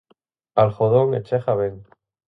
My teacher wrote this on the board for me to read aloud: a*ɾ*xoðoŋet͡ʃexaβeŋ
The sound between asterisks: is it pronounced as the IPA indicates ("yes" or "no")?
no